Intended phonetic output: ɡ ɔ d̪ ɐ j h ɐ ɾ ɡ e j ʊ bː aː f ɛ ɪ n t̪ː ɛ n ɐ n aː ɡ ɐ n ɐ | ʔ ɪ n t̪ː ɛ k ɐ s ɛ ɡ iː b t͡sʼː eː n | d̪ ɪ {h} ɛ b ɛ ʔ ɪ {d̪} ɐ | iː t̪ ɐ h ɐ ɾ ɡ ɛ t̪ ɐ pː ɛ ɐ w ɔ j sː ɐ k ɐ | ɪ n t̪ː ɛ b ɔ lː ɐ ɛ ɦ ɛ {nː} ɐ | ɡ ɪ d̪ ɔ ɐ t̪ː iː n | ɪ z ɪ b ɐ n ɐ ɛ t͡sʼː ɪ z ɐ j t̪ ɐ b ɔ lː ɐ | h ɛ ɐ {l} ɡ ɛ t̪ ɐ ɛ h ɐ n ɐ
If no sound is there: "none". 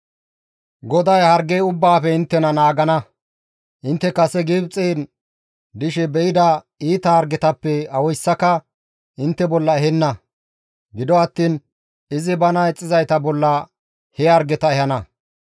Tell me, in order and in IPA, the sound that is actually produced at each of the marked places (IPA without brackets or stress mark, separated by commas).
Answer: ʃ, d̪, nː, ɾ